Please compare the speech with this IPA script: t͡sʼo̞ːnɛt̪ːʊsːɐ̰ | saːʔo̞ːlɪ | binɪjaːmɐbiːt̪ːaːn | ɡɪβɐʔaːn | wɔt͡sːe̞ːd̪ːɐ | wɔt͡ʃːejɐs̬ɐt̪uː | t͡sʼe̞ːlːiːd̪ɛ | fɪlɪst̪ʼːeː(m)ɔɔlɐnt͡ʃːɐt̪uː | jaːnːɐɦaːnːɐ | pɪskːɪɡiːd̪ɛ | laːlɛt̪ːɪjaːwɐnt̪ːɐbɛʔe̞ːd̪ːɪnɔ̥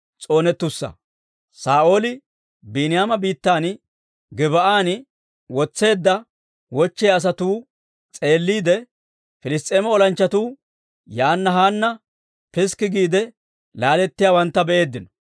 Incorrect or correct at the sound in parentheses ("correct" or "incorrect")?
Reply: correct